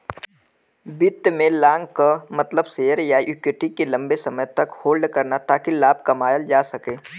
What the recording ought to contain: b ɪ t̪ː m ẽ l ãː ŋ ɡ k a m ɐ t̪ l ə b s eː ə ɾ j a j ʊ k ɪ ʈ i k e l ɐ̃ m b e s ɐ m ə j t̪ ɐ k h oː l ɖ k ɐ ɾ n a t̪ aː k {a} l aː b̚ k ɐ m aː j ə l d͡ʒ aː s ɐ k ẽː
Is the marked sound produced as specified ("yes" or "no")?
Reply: no